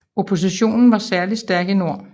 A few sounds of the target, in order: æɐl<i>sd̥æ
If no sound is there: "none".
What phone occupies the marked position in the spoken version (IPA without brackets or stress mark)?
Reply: i